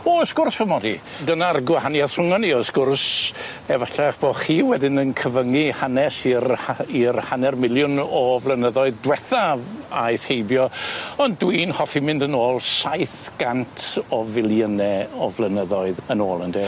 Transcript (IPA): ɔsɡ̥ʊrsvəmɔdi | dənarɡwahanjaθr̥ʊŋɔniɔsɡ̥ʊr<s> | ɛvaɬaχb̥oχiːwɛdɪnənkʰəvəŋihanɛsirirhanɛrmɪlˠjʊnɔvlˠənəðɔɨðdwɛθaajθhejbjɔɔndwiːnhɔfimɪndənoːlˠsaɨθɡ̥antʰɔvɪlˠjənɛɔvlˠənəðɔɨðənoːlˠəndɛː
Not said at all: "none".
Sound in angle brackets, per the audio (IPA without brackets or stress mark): s